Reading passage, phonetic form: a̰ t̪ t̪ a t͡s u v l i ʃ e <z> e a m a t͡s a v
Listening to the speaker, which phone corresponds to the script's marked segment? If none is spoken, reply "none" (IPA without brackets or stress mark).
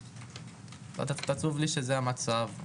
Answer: z